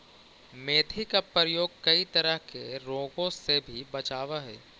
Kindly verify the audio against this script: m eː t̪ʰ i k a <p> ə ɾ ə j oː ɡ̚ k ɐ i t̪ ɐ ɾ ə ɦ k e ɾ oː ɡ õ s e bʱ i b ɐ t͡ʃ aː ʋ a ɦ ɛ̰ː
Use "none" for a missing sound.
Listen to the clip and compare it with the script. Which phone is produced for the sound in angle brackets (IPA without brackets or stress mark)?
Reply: p